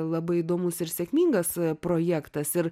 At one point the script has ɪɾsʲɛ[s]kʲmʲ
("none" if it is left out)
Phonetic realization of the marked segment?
none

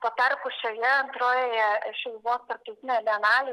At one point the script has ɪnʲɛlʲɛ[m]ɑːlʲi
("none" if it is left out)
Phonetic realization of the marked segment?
n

